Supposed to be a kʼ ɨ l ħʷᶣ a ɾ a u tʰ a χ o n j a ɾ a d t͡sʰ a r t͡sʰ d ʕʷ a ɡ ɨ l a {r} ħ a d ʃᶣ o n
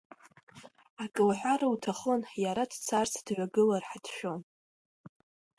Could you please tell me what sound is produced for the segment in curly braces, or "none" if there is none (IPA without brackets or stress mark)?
r